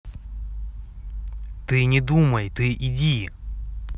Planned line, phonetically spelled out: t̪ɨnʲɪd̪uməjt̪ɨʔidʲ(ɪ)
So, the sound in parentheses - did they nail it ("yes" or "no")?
no